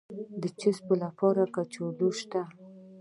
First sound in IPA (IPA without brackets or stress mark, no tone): d̪